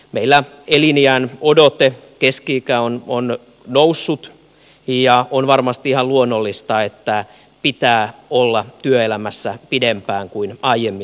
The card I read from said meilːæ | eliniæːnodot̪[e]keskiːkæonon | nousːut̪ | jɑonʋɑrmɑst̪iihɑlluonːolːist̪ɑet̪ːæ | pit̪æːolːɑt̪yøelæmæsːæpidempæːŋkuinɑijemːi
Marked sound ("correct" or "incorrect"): correct